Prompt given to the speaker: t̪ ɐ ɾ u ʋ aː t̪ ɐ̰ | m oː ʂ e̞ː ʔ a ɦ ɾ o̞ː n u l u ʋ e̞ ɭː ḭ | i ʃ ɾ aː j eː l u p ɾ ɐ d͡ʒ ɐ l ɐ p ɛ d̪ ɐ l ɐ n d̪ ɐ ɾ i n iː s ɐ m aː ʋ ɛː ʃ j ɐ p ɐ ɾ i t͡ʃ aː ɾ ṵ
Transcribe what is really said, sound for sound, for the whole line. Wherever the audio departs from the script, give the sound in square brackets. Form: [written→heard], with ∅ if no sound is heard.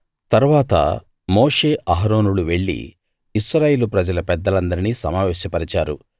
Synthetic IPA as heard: t̪ ɐ ɾ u ʋ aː t̪ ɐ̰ | m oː ʂ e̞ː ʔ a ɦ ɾ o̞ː n u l u ʋ e̞ ɭː ḭ | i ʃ ɾ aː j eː l u p ɾ ɐ d͡ʒ ɐ l ɐ p ɛ [d̪→d̪ː] ɐ l ɐ n d̪ ɐ ɾ i n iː s ɐ m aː ʋ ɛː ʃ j ɐ p ɐ ɾ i t͡ʃ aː ɾ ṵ